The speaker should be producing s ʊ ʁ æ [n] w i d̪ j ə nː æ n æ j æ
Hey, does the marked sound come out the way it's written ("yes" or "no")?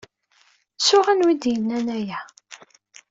yes